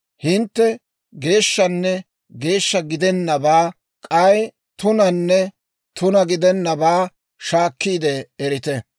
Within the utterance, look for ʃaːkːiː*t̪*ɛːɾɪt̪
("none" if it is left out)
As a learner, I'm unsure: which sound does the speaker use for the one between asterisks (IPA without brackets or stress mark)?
d̪